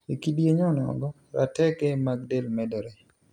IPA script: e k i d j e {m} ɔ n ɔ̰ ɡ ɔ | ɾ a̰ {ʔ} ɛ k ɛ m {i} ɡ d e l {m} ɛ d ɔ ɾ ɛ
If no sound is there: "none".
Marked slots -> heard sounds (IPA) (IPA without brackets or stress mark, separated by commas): ɲ, t, a, m